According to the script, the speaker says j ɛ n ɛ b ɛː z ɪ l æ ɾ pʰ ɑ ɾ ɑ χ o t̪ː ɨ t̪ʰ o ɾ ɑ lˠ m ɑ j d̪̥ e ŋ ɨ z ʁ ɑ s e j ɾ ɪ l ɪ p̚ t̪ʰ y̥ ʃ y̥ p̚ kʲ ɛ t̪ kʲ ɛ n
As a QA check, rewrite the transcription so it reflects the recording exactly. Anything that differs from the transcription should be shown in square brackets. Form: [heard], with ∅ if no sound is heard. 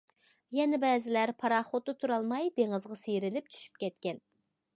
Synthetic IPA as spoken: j ɛ n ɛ b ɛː z ɪ l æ ɾ pʰ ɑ ɾ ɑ χ o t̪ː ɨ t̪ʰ [u] ɾ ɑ lˠ m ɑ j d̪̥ e ŋ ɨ z ʁ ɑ s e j ɾ ɪ l ɪ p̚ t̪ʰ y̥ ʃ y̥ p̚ kʲ ɛ t̪ kʲ ɛ n